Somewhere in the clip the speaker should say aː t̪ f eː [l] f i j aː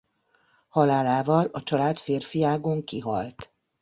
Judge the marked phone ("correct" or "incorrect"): incorrect